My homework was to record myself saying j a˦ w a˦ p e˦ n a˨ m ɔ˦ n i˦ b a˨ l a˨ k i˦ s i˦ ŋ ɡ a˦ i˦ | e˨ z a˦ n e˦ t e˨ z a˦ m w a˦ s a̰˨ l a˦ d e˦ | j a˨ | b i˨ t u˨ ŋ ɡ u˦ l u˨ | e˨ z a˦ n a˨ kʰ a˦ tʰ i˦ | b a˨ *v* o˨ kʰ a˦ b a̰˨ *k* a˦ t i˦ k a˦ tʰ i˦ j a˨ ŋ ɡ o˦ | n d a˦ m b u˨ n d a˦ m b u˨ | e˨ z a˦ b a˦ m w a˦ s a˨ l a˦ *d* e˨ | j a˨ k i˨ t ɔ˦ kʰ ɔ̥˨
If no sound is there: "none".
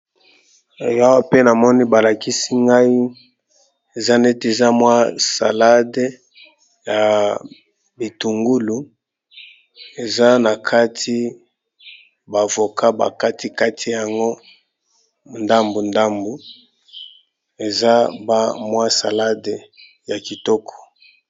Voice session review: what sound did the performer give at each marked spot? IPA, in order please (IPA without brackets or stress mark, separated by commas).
v, k, d